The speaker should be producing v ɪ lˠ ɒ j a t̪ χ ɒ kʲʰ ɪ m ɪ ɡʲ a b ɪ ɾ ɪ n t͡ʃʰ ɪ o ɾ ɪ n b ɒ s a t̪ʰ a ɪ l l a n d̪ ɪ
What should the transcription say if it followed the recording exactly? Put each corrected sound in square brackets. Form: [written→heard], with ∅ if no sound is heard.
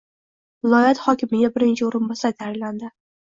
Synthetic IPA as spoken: v ɪ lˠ ɒ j a t̪ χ ɒ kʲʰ ɪ m ɪ ɡʲ a b ɪ ɾ ɪ n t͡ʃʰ ɪ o ɾ ɪ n b ɒ s a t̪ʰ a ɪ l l a n d̪ ɪ